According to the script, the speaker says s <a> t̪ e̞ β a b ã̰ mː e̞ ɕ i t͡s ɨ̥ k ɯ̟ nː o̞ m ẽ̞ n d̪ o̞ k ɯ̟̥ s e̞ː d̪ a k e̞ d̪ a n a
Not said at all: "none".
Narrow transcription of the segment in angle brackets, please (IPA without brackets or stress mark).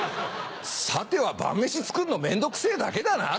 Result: a